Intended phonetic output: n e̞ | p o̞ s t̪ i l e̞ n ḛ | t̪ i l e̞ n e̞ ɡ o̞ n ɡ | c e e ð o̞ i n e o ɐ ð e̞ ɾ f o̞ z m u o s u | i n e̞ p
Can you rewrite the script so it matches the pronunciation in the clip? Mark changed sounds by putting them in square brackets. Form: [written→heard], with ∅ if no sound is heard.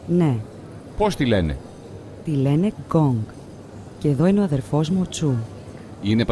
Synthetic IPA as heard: n e̞ | p o̞ s t̪ i l e̞ n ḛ | t̪ i l e̞ n e̞ ɡ o̞ [n→ŋ] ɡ | c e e ð o̞ i n e o ɐ ð e̞ ɾ f o̞ z m u o [s→t͡s] u | i n e̞ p